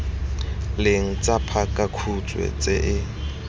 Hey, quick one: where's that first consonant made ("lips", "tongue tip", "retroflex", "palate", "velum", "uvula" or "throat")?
tongue tip